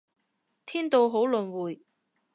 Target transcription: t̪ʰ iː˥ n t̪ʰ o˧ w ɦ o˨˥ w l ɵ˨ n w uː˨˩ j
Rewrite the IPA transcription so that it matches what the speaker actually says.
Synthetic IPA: t̪ʰ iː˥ n t̪ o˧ w ɦ o˨˥ w l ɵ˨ n w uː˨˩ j